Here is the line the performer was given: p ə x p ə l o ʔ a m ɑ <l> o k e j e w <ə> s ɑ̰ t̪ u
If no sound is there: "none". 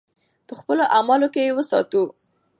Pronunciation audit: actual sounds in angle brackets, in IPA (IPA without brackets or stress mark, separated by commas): l, ə